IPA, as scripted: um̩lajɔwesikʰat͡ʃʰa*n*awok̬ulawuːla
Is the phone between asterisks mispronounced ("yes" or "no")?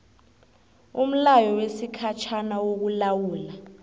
no